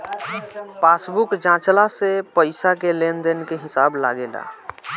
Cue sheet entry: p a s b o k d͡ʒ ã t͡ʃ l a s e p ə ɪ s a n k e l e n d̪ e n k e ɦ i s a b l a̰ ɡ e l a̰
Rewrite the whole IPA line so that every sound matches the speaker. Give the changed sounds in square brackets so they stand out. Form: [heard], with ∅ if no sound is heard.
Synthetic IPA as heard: p a s b [u] k d͡ʒ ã t͡ʃ l a s e p ə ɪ s a [∅] k e l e n d̪ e n k e ɦ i s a b l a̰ ɡ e l a̰